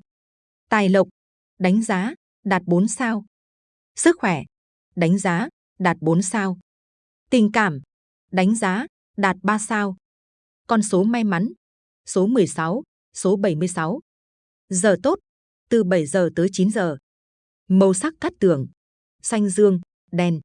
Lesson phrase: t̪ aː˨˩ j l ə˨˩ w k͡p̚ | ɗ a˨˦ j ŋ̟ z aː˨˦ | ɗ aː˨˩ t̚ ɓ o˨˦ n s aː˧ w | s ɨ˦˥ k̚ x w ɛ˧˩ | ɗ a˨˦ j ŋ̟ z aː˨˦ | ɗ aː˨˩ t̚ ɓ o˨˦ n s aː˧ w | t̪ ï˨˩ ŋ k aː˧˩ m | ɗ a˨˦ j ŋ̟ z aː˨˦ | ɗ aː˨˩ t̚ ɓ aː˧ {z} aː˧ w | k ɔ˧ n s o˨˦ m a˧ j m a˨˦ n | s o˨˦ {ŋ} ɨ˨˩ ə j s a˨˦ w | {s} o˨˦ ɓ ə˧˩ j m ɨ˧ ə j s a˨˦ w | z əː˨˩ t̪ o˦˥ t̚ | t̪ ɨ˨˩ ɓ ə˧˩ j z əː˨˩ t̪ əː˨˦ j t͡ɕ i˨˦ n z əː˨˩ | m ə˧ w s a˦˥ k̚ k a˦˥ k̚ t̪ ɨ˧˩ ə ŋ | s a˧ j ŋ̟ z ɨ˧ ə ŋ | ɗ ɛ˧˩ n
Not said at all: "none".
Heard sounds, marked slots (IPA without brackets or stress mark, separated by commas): s, m, s